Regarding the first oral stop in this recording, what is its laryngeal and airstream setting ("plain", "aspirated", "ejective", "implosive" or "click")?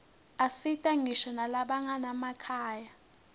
ejective